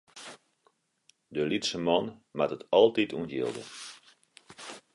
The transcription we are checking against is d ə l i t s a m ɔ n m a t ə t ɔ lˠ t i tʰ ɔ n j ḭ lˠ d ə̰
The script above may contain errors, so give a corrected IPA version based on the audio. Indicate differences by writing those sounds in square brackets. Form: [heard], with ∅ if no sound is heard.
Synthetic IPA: d ə l i t s [ə] m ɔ n m a t ə t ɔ lˠ t i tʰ [u] n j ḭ lˠ d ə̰